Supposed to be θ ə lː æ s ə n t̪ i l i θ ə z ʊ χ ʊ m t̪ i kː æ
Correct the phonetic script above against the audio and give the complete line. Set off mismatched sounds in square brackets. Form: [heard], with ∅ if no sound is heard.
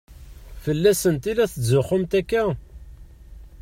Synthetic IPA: [f] ə lː æ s ə n t̪ i l [æ] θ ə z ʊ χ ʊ m t̪ [æ] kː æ